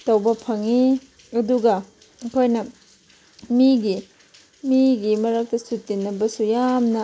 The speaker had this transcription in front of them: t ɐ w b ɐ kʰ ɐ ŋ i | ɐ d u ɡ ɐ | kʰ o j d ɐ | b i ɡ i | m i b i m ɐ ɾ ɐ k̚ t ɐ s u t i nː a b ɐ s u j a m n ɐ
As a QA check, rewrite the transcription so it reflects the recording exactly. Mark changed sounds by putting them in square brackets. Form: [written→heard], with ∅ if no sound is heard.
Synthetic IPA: t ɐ w b ɐ [kʰ→pʰ] ɐ ŋ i | ɐ d u ɡ ɐ | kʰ o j [d→n] ɐ | [b→m] i ɡ i | m i [b→ɡ] i m ɐ ɾ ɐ k̚ t ɐ s u t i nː [a→ɐ] b ɐ s u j a m n ɐ